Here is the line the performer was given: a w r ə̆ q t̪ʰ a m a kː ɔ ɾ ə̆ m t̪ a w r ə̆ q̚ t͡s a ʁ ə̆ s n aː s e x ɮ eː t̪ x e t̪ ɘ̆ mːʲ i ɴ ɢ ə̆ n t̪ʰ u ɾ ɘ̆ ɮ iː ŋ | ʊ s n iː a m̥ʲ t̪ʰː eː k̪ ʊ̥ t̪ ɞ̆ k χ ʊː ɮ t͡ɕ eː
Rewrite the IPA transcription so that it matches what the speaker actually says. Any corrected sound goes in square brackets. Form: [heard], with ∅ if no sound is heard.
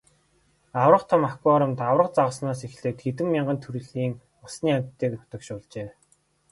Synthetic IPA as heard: a w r ə̆ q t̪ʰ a m a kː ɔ ɾ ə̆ m t̪ a w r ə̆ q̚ t͡s a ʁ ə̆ s n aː s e x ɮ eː t̪ x e t̪ ɘ̆ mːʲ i ɴ ɢ ə̆ n t̪ʰ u ɾ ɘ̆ ɮ iː ŋ | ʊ s n iː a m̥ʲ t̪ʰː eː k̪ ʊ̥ t̪ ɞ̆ k [ʃ] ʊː ɮ t͡ɕ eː